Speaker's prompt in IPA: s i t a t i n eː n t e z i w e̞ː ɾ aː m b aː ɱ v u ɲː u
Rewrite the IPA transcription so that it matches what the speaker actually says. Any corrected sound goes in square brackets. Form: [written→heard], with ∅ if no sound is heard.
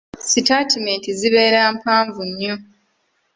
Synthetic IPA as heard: s i t a t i [n→m] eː n t [e→i] z i [w→β] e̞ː ɾ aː m [b→p] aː ɱ v u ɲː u